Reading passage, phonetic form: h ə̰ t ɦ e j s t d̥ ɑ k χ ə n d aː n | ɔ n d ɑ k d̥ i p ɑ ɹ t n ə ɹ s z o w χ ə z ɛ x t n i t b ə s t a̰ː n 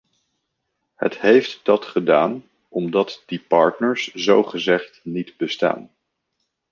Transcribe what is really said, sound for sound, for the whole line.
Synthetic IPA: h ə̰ t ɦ e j f t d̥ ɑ t χ ə d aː n | ɔ m d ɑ t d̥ i p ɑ ɹ t n ə ɹ s z o w χ ə z ɛ χ t n i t b ə s t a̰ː n